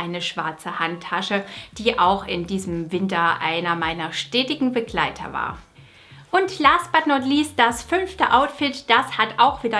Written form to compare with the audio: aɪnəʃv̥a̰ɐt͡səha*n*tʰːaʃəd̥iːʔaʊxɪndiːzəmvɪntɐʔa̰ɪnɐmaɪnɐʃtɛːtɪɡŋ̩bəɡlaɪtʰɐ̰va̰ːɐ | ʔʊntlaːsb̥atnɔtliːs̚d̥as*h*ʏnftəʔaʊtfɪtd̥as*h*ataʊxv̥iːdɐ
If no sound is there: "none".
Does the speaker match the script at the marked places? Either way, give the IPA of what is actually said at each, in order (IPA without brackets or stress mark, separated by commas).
n, f, h